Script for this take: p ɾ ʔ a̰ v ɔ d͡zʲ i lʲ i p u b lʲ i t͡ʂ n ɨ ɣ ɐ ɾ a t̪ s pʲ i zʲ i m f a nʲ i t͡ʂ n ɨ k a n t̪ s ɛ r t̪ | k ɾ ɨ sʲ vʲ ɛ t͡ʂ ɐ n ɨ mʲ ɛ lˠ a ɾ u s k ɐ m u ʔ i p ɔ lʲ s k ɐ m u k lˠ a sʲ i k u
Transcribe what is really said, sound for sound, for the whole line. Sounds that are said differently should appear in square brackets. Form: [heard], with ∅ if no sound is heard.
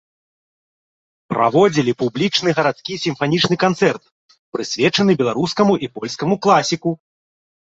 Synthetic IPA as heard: p ɾ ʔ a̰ v ɔ d͡zʲ i lʲ i p u b lʲ i t͡ʂ n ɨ ɣ ɐ ɾ a t̪ s [kʲ] i [sʲ] i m f a nʲ i t͡ʂ n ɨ k a n t̪ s ɛ r t̪ | [p] ɾ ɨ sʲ vʲ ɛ t͡ʂ ɐ n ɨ [bʲ] ɛ lˠ a ɾ u s k ɐ m u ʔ i p ɔ lʲ s k ɐ m u k lˠ a sʲ i k u